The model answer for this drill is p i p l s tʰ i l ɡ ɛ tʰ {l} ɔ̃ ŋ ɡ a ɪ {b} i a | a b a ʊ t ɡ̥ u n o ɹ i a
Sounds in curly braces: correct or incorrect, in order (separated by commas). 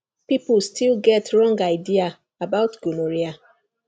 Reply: incorrect, incorrect